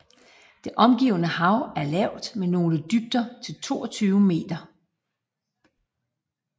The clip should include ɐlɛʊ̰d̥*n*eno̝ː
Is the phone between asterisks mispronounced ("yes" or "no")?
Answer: yes